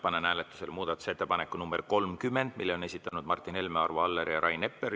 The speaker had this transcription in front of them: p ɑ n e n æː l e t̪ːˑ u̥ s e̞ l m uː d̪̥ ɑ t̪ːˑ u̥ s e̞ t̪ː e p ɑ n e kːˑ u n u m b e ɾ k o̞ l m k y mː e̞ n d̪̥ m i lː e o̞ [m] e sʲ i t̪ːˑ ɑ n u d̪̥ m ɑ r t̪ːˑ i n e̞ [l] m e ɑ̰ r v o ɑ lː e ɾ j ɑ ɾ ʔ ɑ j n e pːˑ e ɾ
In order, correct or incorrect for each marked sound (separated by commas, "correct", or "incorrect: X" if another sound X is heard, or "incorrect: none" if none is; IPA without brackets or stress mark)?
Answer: incorrect: n, correct